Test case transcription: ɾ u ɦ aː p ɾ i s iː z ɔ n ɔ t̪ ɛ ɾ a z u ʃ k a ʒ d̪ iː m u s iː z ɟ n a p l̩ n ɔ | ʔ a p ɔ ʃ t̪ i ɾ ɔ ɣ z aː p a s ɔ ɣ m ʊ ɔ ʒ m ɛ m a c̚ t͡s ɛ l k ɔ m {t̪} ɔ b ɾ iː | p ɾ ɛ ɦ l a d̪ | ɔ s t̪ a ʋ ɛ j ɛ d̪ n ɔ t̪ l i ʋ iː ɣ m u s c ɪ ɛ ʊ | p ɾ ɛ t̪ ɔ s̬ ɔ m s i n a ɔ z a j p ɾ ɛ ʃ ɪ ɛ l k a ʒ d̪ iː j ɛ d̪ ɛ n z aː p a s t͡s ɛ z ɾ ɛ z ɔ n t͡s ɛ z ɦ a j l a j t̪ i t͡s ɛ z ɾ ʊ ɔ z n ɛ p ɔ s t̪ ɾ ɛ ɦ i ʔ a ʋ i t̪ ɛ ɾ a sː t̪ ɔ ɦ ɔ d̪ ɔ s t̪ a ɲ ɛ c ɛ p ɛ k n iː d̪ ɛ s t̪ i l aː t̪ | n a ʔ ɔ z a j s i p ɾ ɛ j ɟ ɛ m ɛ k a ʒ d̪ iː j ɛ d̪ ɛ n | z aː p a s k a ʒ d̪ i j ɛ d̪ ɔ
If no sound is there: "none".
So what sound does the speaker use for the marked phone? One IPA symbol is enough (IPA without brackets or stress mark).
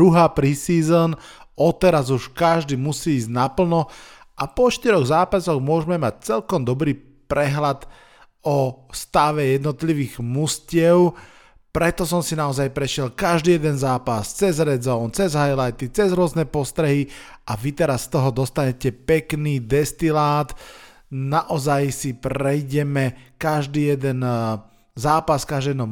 d̪